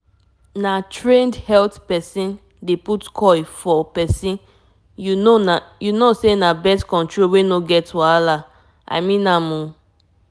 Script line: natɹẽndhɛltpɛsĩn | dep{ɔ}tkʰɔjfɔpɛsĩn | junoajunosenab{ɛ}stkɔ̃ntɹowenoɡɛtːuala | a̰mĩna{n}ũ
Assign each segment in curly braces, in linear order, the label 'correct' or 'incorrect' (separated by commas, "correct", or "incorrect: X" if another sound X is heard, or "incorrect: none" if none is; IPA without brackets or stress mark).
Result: incorrect: u, correct, incorrect: m